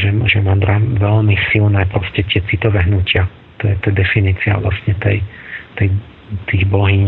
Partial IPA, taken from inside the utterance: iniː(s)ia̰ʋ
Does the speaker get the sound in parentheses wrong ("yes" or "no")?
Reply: yes